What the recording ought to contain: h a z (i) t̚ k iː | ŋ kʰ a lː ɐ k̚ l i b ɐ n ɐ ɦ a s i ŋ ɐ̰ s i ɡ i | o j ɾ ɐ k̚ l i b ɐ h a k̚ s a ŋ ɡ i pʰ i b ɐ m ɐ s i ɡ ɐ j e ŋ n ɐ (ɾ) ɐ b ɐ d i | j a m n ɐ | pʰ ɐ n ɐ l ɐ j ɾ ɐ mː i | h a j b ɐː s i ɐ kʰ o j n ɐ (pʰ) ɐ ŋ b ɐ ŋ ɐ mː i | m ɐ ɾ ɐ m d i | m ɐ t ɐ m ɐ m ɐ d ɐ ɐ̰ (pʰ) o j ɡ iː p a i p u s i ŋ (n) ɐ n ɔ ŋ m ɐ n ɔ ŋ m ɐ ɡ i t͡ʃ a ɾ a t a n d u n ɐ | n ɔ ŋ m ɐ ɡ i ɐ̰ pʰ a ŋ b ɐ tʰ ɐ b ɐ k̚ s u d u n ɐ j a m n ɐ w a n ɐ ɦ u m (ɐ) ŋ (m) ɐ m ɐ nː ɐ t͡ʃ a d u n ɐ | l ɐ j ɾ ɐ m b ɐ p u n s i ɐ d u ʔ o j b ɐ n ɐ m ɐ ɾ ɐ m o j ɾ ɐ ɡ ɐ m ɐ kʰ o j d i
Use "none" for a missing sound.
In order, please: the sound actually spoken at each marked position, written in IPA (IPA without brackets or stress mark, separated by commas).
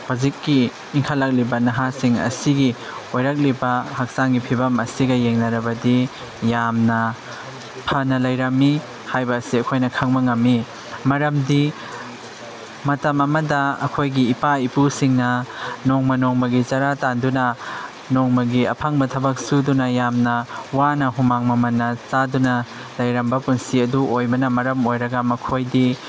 i, ɾ, kʰ, kʰ, n, a, m